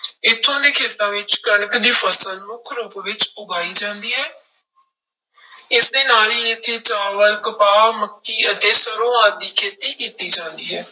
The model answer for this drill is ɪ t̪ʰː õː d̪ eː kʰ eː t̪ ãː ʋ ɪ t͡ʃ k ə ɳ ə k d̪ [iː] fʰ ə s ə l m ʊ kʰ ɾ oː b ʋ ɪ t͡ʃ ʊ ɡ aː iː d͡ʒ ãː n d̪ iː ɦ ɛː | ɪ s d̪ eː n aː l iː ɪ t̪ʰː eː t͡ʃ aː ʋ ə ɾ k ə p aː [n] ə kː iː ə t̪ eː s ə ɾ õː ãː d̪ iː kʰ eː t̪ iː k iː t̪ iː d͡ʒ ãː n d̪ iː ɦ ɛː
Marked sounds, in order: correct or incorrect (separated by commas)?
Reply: correct, incorrect